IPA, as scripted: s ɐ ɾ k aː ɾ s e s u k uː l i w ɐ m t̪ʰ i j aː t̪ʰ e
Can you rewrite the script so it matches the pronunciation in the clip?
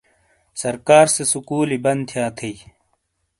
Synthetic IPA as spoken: s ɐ ɾ k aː ɾ s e s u k uː l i b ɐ n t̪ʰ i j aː t̪ʰ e